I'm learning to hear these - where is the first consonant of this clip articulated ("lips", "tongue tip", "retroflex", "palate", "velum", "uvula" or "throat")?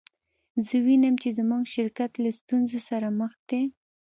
tongue tip